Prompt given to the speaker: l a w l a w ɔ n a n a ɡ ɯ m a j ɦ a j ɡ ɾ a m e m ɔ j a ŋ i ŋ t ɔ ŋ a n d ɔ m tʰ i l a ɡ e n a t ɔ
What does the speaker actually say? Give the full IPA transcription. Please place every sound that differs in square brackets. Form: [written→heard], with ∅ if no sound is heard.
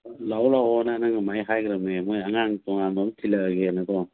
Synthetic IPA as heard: l a w l a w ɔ n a n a [ɡ→ŋ] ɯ m a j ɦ a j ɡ ɾ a m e m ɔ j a ŋ [i→a] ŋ t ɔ ŋ a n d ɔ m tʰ i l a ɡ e n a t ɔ